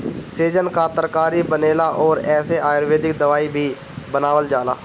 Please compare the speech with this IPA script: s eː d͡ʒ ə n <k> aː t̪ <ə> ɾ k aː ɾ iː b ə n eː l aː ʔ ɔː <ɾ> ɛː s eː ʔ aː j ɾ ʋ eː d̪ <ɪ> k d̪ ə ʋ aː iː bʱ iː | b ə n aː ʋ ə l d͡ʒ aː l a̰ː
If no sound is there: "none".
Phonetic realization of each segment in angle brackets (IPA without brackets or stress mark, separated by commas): k, ə, ɾ, ɪ